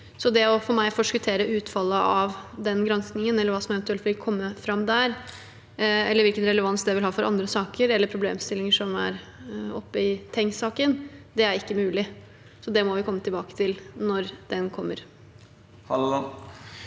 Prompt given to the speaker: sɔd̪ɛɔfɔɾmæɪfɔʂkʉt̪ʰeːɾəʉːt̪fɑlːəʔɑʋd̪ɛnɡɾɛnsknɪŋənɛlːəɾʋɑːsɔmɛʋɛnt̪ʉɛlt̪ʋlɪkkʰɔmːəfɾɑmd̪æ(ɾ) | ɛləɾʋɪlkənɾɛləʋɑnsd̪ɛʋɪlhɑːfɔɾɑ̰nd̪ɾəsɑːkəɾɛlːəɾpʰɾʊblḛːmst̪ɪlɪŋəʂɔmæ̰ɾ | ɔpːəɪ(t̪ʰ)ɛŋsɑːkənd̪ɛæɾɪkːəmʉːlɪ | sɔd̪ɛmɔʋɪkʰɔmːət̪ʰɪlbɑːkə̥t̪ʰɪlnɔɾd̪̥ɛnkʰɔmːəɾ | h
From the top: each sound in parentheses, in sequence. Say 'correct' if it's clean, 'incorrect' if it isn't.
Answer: correct, correct

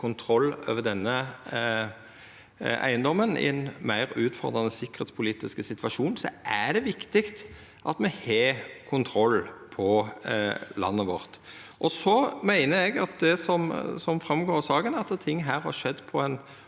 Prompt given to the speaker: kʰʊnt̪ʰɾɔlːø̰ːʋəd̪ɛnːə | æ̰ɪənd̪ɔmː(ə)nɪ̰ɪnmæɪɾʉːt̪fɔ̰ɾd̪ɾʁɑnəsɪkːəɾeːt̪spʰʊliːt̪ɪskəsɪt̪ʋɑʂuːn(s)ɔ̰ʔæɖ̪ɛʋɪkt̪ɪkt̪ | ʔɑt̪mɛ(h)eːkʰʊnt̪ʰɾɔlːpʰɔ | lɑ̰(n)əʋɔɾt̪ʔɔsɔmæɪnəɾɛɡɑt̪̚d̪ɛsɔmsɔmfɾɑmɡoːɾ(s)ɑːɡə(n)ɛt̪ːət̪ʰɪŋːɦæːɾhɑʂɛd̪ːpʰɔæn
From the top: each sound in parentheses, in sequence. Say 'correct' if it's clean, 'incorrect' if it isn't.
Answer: correct, correct, correct, incorrect: nː, correct, correct

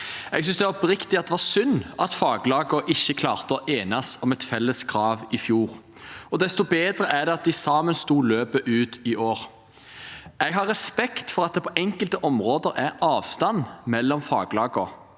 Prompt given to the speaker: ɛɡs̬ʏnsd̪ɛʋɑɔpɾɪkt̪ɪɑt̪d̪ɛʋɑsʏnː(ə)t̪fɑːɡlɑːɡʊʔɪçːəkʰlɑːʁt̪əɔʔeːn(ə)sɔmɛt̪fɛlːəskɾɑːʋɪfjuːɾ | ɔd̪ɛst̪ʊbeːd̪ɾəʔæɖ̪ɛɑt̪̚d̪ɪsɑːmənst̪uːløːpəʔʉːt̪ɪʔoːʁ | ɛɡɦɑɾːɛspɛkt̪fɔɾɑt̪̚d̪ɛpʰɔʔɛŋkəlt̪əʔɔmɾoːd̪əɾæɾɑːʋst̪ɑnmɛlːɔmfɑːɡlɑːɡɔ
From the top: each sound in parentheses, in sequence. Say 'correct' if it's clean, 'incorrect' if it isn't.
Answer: incorrect: ɑ, incorrect: ɑ

